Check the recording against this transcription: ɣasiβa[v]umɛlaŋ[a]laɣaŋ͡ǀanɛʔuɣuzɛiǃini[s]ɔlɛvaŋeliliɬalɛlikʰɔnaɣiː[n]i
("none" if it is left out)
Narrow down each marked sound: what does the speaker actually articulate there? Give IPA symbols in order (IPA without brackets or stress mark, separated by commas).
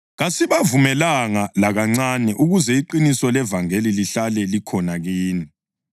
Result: v, a, s, n